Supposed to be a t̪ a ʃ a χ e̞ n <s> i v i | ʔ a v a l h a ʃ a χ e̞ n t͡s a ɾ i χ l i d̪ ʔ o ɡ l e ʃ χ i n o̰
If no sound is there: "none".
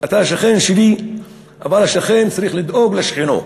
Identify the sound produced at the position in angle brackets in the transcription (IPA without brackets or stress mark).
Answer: ʃ